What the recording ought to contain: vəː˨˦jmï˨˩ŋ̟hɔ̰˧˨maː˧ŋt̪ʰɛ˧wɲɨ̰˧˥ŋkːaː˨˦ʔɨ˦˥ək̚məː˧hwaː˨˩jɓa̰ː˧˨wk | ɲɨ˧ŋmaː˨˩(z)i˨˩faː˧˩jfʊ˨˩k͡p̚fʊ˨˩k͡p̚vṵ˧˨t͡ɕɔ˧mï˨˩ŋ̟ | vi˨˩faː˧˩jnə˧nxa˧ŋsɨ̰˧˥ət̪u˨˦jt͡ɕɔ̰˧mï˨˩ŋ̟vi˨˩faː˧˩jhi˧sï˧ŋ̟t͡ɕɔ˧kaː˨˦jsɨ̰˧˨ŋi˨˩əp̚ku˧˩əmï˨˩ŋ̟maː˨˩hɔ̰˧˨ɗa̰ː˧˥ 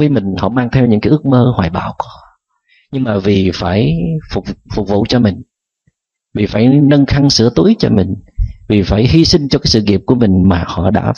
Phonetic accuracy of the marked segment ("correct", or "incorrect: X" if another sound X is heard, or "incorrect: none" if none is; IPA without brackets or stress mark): incorrect: v